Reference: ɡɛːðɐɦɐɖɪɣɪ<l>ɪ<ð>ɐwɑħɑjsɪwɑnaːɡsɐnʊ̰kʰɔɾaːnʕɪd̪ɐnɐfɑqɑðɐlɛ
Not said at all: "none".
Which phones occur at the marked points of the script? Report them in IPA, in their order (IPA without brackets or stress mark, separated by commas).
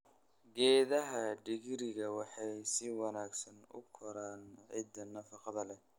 ɾ, ɣ